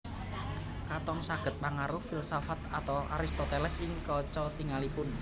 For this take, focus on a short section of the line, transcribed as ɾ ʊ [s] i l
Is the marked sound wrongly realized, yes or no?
yes